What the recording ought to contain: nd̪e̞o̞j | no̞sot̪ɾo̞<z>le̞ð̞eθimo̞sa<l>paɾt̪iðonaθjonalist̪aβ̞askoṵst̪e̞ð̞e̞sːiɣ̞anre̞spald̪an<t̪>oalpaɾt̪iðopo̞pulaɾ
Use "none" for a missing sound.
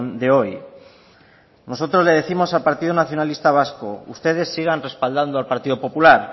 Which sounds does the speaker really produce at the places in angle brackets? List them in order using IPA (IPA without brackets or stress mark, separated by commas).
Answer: z, l, d̪